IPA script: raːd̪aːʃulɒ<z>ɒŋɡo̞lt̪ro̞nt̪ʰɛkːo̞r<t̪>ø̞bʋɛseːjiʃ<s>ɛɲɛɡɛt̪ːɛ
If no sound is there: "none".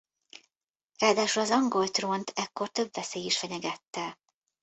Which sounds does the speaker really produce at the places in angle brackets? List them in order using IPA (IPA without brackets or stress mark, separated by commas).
z, t̪, f